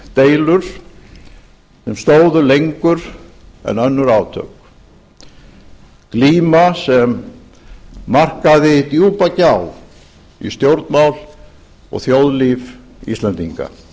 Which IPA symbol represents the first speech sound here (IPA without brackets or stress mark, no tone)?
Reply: t̪